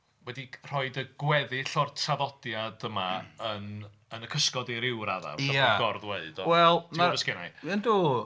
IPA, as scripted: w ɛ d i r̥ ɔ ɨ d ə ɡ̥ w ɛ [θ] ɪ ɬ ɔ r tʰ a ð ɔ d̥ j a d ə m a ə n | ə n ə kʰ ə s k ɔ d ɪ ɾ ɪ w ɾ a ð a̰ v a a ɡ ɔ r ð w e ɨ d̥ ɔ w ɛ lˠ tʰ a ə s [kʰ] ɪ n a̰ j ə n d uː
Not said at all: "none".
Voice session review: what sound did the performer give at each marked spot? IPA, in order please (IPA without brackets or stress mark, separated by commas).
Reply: ð, k